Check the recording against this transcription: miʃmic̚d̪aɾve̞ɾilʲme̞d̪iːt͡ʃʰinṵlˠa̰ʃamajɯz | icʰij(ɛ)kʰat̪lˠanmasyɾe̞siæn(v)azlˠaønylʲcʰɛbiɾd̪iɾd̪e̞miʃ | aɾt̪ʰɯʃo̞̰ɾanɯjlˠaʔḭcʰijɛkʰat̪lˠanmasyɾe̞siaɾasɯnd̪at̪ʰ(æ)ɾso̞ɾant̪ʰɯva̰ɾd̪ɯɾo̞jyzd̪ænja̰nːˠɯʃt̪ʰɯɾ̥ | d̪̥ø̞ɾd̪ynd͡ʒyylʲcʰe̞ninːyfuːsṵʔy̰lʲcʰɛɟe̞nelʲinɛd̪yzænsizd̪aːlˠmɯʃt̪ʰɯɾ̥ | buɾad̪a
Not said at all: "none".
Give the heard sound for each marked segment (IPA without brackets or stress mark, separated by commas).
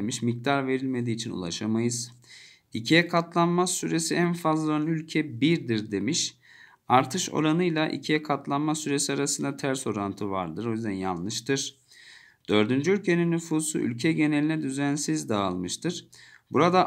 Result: ɛ, f, æ